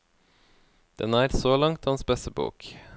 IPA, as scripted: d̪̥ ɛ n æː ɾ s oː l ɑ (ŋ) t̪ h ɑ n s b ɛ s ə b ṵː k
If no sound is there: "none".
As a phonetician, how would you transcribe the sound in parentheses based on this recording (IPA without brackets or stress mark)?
ŋ